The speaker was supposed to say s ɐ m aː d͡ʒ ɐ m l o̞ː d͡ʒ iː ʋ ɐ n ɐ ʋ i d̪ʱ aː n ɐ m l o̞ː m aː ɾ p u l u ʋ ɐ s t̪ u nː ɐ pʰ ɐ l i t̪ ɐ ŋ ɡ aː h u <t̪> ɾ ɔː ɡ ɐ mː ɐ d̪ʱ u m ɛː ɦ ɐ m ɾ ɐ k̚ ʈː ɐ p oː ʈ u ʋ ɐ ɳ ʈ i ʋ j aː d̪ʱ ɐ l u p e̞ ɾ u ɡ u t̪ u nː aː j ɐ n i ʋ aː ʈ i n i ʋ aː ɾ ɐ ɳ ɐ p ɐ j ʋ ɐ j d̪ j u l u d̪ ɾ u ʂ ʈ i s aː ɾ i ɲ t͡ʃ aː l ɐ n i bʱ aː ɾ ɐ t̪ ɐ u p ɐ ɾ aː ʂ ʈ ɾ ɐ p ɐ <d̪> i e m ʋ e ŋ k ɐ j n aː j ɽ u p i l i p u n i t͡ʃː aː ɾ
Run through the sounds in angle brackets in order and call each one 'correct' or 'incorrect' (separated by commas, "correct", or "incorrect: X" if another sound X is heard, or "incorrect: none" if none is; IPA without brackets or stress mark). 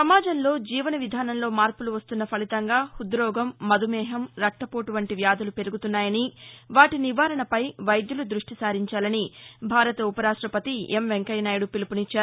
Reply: incorrect: d̪, incorrect: t̪